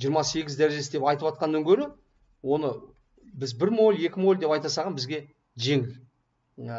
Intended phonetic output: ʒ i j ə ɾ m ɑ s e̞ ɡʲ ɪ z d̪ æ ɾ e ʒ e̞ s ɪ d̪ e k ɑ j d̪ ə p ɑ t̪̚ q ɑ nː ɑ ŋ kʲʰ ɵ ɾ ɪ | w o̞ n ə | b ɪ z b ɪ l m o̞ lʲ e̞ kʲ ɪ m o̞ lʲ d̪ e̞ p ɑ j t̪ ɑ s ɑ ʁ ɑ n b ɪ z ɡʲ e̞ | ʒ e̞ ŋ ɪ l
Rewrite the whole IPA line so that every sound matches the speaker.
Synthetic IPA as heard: ʒ i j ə ɾ m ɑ s e̞ ɡʲ ɪ z d̪ æ ɾ e ʒ e̞ s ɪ d̪ e p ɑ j t̪ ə p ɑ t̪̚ q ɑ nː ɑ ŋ kʲʰ ɵ ɾ ɪ | w o̞ n ə | b ɪ z b ɪ ɾ m o̞ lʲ e̞ kʲ ɪ m o̞ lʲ d̪ e̞ p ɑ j t̪ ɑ s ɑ ʁ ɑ n b ɪ z ɡʲ e̞ | ʒ e̞ ŋ ɪ l